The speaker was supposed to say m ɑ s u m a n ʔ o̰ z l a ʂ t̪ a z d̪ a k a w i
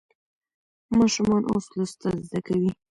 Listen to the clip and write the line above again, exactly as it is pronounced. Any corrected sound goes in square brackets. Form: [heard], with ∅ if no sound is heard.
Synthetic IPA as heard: m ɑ [ʃ] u m [ɑ] n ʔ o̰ [s] l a [s] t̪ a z d̪ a k a w i